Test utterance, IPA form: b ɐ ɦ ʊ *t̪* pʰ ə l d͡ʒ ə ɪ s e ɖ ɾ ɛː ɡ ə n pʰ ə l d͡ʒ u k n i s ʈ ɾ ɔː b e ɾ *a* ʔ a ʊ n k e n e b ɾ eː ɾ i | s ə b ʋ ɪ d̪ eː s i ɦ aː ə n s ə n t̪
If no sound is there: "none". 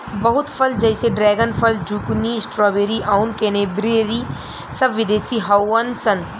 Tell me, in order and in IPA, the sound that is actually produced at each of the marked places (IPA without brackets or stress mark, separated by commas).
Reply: t̪, i